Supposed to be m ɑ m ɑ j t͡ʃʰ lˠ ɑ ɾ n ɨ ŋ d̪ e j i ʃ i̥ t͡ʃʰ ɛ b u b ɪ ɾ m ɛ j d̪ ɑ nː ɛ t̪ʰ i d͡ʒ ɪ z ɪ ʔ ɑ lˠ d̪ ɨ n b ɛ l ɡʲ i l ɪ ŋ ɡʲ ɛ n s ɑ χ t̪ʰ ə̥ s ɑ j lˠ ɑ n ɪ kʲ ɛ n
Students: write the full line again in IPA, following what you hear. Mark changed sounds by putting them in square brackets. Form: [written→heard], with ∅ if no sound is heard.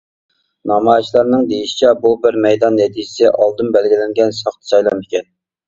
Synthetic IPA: [m→n] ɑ m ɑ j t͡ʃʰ lˠ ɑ ɾ n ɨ ŋ d̪ e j i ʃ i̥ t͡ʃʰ ɛ b u b ɪ ɾ m ɛ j d̪ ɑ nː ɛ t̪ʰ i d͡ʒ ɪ [z→s] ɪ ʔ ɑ lˠ d̪ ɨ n b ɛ l ɡʲ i l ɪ ŋ ɡʲ ɛ n s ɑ χ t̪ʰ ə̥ s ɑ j lˠ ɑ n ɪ kʲ ɛ n